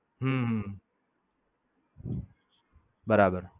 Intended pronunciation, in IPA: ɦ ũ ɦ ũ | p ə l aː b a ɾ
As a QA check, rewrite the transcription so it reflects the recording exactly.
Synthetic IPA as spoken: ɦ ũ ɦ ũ | b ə ɾ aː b ə ɾ

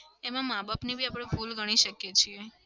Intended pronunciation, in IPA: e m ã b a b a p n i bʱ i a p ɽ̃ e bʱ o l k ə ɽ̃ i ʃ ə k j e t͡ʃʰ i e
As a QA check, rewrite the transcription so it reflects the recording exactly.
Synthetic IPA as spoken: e m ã m a b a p n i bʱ i a p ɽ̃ e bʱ u l ɡ ə ɽ̃ i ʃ ə k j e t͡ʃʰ i e

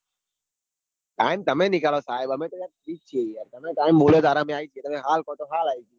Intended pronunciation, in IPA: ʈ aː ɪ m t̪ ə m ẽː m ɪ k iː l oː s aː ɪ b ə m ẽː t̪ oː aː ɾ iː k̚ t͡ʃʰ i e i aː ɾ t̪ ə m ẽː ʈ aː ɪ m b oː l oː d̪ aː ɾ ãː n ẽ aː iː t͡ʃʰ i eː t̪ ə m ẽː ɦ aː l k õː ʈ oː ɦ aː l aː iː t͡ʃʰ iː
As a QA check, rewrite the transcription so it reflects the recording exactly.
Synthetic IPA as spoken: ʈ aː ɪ m t̪ ə m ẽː n ɪ k aː l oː s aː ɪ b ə m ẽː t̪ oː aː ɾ iː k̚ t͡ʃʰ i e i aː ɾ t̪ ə m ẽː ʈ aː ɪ m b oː l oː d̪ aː ɾ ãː m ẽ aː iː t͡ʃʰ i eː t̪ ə m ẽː ɦ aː l k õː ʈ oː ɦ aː l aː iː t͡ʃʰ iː

